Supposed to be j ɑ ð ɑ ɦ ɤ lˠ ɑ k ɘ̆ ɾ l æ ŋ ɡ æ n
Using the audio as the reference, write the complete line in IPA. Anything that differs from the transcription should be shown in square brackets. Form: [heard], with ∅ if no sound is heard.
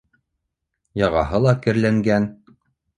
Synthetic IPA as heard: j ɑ [ʁ] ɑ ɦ ɤ lˠ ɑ k ɘ̆ ɾ l æ ŋ ɡ æ n

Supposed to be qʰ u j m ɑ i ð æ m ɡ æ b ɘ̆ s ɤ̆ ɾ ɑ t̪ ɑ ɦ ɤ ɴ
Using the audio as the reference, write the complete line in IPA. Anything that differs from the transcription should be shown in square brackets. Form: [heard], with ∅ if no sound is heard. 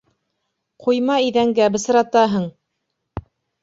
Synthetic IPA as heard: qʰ u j m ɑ i ð æ [ŋ] ɡ æ b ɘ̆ s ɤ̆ ɾ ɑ t̪ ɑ ɦ ɤ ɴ

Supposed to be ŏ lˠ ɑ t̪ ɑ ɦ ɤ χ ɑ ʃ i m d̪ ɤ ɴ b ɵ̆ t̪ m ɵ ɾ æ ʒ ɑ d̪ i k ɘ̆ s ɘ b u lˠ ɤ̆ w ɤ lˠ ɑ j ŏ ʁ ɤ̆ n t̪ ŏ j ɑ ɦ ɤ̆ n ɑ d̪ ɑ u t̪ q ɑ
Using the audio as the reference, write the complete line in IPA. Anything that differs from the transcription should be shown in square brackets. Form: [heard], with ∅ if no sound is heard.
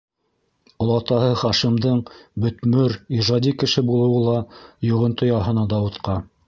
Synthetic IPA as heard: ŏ lˠ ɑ t̪ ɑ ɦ ɤ χ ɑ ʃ i m d̪ ɤ ɴ b ɵ̆ t̪ m ɵ ɾ [i] ʒ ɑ d̪ i k ɘ̆ [ʃ] ɘ b u lˠ ɤ̆ w ɤ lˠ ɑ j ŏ ʁ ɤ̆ n t̪ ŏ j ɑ ɦ ɤ̆ n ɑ d̪ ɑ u t̪ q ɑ

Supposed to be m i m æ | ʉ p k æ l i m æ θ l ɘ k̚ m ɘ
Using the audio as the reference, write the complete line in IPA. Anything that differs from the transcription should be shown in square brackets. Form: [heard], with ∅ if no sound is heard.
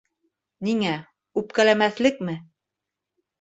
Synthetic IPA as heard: [n] i [ŋ] æ | ʉ p k æ l [æ] m æ θ l ɘ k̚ m ɘ

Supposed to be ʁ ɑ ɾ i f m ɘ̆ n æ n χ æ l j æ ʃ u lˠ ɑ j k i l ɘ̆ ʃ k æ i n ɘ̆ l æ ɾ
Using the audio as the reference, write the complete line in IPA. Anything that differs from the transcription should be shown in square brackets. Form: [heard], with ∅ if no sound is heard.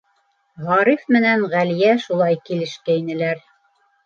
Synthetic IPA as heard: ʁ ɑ ɾ i f m ɘ̆ n æ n [ʁ] æ l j æ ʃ u lˠ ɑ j k i l ɘ̆ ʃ k æ i n ɘ̆ l æ ɾ

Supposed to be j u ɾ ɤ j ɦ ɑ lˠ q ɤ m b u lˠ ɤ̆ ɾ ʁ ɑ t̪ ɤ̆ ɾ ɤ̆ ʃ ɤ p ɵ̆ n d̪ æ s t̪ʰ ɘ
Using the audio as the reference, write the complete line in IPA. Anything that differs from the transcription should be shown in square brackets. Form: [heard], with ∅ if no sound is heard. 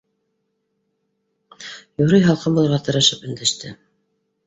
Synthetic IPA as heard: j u ɾ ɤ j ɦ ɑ lˠ q ɤ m b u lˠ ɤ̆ ɾ ʁ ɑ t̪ ɤ̆ ɾ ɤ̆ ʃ ɤ p ɵ̆ n d̪ æ [ʃ] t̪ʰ ɘ

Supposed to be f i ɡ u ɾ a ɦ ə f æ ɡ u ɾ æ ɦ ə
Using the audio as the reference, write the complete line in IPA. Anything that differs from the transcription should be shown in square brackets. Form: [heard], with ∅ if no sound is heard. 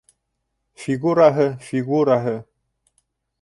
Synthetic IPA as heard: f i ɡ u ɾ a ɦ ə f [i] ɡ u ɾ [a] ɦ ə

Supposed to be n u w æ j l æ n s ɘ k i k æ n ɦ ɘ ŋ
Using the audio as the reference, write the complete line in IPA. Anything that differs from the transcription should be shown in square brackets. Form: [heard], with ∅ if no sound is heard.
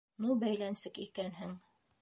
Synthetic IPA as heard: n u [b] æ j l æ n s ɘ k i k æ n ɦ ɘ ŋ

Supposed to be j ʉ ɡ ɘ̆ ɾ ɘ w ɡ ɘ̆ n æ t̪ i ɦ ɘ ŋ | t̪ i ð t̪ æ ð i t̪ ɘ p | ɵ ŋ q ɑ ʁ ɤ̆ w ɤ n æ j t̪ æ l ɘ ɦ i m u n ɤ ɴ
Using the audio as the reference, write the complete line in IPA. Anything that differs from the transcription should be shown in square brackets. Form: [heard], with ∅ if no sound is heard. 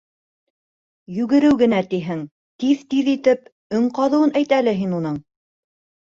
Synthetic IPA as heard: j ʉ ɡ ɘ̆ ɾ ɘ w ɡ ɘ̆ n æ t̪ i ɦ ɘ ŋ | t̪ i ð t̪ [i] ð i t̪ ɘ p | ɵ ŋ q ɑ [ð] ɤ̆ w ɤ n æ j t̪ æ l ɘ ɦ i [n] u n ɤ ɴ

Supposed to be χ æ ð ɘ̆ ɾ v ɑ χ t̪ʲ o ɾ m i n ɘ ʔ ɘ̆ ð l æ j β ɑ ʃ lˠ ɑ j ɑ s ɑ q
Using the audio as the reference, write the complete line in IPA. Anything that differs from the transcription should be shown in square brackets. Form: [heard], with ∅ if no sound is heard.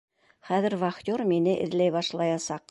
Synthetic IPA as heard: χ æ ð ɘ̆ ɾ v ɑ χ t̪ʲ o ɾ m i n ɘ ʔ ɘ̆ ð l æ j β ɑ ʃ lˠ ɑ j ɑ s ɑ q

